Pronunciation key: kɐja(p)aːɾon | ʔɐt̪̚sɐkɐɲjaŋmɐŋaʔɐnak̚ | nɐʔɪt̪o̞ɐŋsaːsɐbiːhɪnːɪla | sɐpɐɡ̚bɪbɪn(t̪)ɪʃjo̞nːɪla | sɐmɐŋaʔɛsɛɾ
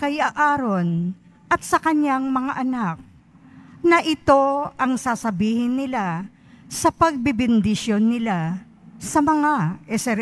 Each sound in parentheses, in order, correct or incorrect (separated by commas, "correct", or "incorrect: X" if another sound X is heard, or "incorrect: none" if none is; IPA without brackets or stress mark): incorrect: ʔ, incorrect: d̪